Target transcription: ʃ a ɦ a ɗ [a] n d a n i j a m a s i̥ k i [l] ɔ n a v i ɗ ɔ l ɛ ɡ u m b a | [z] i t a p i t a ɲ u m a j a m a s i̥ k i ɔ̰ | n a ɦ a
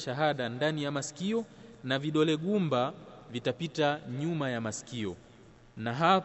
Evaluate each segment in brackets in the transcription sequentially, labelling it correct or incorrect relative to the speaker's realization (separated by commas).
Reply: correct, incorrect, incorrect